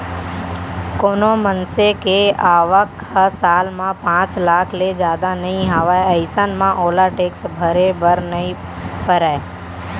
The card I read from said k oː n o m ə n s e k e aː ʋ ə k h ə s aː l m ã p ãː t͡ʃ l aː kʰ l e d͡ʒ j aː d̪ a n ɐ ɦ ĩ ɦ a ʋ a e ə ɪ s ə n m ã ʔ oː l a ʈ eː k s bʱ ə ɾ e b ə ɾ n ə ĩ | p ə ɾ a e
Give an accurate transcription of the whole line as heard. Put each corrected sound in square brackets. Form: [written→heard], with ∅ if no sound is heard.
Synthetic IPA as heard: k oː n o m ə n s e k e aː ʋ ə k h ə s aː l m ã p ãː t͡ʃ l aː kʰ l e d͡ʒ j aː d̪ a n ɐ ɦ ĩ ɦ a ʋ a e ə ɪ s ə n m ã ʔ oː l a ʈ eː k s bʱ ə ɾ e b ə ɾ n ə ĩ | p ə ɾ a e